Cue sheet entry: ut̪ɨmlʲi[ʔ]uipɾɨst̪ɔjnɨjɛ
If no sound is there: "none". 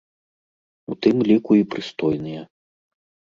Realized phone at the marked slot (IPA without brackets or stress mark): k